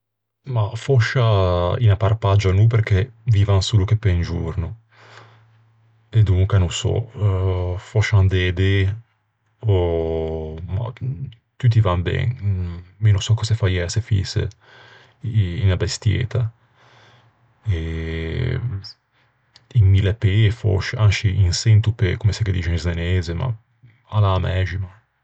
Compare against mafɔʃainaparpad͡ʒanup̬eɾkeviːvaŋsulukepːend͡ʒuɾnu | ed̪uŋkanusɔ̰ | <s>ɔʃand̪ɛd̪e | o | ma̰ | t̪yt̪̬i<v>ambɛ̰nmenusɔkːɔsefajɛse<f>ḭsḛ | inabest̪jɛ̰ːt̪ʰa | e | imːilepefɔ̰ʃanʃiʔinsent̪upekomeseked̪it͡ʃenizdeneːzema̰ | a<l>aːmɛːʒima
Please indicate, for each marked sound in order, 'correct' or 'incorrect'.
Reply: incorrect, correct, correct, correct

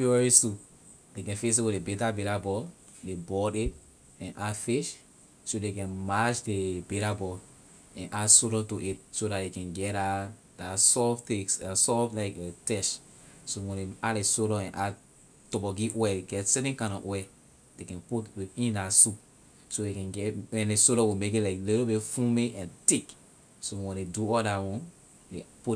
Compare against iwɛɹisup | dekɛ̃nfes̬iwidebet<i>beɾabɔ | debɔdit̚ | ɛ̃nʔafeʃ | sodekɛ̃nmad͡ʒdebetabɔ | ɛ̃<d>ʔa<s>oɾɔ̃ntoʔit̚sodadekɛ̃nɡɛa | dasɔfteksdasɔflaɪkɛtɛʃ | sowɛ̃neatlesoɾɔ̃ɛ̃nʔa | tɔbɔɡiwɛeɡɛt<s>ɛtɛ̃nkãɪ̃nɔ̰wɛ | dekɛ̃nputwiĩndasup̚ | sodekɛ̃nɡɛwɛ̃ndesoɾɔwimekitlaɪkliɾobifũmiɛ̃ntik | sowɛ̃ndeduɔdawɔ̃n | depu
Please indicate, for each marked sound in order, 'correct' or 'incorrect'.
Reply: incorrect, incorrect, correct, correct

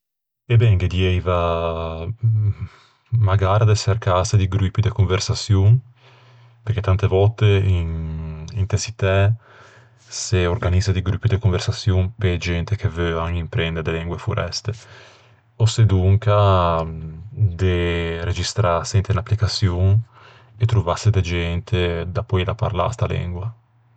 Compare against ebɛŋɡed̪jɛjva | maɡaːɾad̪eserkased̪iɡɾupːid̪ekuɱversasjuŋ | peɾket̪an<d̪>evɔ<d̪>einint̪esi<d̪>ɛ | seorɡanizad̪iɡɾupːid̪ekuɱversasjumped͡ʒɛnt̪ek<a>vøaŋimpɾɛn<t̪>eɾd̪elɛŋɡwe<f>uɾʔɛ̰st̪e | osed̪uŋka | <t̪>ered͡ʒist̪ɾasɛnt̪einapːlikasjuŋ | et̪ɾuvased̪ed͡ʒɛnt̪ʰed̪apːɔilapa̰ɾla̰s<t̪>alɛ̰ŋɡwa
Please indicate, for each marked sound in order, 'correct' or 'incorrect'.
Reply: incorrect, incorrect, incorrect, incorrect, incorrect, correct, incorrect, correct

